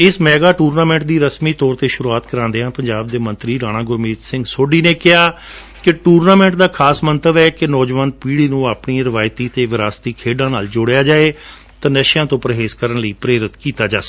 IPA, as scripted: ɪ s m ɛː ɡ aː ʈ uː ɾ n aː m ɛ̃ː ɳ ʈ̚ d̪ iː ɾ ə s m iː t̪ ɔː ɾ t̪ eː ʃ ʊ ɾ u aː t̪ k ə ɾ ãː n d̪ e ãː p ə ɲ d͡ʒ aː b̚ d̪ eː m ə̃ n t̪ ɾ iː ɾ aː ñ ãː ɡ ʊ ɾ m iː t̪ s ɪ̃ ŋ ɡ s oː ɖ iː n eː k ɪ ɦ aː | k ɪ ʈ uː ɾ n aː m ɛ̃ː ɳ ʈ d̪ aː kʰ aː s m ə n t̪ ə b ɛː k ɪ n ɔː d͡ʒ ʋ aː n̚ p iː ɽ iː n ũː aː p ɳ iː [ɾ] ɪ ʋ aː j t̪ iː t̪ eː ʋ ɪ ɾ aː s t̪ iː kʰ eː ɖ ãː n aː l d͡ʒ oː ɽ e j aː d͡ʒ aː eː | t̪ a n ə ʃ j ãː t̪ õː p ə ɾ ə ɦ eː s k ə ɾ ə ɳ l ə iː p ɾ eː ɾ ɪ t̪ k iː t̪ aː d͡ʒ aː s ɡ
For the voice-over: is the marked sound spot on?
yes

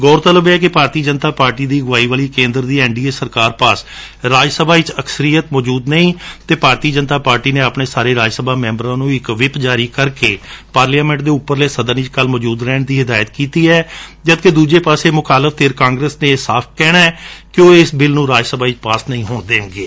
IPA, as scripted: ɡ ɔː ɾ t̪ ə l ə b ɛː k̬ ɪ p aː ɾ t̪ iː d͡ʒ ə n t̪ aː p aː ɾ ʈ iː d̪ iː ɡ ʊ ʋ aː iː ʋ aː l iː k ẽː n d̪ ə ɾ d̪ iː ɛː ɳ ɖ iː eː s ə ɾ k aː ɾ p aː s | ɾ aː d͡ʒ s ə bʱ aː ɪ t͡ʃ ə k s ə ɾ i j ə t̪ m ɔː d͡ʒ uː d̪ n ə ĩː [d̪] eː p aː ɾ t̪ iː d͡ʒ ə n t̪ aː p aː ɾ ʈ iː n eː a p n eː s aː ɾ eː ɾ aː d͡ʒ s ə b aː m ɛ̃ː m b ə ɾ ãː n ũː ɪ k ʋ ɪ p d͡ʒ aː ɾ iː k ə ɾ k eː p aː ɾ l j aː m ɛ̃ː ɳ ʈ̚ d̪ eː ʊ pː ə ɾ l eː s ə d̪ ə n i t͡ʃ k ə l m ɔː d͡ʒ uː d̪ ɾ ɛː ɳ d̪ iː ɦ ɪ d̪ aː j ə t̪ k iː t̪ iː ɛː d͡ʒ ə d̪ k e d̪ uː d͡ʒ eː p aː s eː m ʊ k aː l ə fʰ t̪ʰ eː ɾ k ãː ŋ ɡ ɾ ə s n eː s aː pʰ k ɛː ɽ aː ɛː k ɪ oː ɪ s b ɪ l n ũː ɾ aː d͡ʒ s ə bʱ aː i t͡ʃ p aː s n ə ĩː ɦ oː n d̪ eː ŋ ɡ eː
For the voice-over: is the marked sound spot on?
no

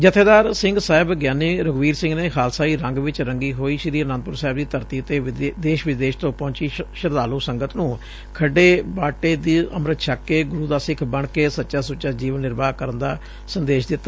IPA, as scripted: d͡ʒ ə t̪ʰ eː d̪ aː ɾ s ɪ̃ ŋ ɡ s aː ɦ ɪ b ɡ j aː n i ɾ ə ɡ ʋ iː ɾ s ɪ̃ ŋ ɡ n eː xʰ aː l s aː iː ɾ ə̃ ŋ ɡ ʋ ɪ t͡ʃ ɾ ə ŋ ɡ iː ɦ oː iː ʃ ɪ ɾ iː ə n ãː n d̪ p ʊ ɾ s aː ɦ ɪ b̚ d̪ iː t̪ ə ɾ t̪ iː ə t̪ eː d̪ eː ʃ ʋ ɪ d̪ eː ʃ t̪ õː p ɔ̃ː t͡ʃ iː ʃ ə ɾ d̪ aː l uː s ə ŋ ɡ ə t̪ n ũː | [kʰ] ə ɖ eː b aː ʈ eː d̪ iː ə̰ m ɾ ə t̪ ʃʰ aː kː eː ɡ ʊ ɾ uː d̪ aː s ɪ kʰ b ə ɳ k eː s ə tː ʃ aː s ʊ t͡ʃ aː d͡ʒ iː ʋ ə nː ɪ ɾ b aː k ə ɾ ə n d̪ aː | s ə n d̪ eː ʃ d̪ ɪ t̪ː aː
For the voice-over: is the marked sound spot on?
yes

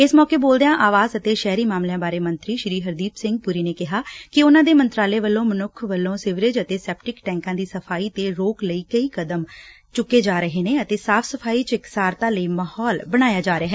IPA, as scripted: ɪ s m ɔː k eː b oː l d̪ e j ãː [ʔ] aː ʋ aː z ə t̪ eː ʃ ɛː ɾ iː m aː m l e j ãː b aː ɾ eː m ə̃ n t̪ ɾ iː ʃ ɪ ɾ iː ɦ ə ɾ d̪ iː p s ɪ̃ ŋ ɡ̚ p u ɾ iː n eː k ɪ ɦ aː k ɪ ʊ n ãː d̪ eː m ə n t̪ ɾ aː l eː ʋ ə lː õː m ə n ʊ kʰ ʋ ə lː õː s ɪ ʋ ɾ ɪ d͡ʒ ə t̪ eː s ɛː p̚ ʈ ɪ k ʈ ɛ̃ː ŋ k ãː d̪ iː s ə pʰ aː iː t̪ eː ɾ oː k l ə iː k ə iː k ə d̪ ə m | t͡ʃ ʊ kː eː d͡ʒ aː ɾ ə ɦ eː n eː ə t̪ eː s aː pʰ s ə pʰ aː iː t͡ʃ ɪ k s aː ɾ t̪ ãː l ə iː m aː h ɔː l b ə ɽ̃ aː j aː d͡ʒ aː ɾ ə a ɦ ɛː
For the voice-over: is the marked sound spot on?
yes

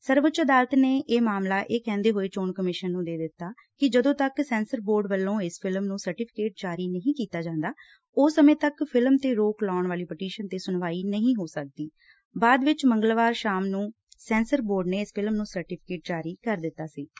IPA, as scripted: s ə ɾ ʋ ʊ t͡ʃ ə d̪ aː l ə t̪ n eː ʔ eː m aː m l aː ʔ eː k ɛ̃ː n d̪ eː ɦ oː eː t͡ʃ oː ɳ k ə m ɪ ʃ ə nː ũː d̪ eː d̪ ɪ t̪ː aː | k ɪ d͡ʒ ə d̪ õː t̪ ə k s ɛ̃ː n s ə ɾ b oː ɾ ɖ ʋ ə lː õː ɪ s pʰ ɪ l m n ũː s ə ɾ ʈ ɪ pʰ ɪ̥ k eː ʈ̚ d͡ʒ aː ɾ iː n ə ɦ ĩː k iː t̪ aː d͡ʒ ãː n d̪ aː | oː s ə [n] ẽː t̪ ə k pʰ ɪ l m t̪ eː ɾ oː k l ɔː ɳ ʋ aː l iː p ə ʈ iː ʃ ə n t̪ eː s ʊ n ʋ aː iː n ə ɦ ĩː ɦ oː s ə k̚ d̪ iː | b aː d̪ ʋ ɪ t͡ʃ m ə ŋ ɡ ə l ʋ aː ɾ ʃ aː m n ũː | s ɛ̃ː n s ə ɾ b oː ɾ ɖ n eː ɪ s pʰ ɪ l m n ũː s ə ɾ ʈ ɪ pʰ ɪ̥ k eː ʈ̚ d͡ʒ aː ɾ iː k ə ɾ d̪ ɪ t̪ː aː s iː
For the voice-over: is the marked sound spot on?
no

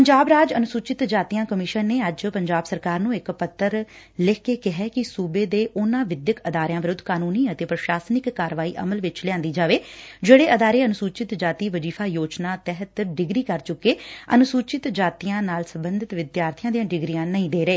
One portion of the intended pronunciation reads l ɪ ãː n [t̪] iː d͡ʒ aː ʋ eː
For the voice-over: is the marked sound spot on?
no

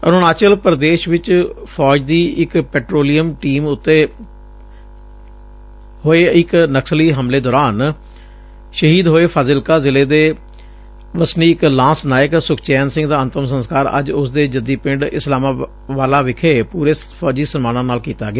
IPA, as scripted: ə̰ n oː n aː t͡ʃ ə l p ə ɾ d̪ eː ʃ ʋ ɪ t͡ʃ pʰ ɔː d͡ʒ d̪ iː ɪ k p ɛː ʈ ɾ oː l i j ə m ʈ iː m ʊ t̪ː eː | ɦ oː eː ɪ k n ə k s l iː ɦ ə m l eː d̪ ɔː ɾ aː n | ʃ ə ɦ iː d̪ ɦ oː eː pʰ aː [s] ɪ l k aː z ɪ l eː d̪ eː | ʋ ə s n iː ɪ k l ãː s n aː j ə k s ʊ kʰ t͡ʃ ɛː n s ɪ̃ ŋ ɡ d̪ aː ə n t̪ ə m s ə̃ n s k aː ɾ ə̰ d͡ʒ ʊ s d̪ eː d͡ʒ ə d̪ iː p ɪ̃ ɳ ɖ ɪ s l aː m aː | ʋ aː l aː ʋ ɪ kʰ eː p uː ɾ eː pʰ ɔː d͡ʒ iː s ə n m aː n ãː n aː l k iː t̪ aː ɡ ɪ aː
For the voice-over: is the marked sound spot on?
no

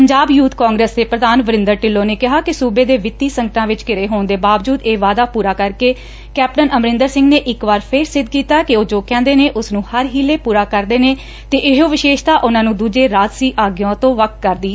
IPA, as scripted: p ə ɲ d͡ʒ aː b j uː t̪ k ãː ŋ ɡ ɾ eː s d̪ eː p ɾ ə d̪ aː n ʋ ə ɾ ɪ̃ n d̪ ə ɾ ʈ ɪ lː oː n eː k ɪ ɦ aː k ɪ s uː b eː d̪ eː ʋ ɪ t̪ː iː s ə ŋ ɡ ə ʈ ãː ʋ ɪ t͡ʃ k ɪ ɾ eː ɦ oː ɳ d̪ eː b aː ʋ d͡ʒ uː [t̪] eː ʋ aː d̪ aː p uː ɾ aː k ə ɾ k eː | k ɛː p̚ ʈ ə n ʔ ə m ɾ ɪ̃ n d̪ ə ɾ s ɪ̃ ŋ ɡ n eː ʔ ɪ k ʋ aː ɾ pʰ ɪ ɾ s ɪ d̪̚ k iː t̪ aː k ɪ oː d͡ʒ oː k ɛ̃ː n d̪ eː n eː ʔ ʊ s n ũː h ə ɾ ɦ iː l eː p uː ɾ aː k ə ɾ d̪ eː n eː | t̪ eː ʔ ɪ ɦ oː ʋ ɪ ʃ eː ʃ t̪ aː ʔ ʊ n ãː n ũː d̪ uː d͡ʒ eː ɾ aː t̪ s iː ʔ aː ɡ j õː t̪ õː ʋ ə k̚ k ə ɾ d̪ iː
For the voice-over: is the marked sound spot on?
no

